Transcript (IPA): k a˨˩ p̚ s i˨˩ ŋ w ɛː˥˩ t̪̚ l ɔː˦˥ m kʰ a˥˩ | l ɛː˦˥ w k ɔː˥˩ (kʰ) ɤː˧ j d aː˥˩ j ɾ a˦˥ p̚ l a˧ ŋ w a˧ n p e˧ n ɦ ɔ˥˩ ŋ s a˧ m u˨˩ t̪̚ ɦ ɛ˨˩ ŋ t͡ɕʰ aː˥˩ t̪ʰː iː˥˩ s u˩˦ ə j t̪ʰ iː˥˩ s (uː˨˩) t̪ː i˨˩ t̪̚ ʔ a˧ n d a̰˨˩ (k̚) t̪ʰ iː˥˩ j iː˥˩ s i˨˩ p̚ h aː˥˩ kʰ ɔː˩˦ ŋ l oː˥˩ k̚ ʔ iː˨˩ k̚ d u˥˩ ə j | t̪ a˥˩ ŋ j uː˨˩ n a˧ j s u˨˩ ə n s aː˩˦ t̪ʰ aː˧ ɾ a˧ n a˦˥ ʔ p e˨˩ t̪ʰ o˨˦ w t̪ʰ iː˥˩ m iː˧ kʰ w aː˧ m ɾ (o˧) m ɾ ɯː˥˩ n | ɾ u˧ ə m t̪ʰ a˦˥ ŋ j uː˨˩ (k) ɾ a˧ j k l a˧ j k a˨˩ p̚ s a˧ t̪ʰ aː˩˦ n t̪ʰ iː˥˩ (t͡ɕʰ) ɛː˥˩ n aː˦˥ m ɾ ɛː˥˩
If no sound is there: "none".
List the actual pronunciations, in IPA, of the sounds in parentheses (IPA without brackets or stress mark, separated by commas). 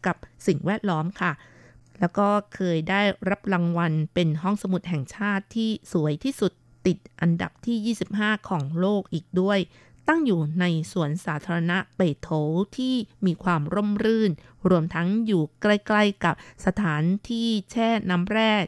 kʰ, u˨˩, p̚, o˥˩, k, t͡ɕʰ